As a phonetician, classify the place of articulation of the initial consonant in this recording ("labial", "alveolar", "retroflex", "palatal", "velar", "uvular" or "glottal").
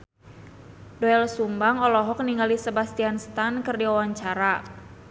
alveolar